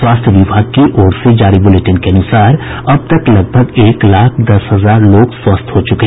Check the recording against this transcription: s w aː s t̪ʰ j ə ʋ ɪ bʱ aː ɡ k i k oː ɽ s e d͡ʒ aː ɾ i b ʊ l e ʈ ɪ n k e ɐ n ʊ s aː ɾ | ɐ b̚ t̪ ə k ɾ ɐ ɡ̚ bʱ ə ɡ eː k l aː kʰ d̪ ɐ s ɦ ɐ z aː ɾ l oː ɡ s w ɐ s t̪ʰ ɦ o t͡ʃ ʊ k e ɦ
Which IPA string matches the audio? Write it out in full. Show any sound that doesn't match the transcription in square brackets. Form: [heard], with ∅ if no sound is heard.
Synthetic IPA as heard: s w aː s t̪ʰ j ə ʋ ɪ bʱ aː ɡ k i [ʔ] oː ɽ s e d͡ʒ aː ɾ i b ʊ l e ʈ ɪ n k e ɐ n ʊ s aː ɾ | ɐ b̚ t̪ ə k [l] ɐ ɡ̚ bʱ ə ɡ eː k l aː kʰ d̪ ɐ s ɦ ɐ z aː ɾ l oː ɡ s w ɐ s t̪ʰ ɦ o t͡ʃ ʊ k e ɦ